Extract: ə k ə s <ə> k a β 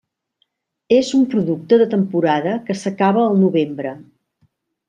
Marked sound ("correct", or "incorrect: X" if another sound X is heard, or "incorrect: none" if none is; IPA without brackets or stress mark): correct